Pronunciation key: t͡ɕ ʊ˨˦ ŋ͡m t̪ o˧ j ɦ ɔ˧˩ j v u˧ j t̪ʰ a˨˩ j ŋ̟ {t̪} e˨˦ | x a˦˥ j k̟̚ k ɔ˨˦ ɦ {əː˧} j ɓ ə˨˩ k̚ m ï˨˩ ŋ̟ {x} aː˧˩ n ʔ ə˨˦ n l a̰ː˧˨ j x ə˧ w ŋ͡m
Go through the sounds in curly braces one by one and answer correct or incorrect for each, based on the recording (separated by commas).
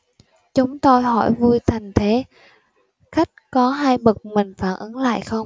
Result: incorrect, incorrect, incorrect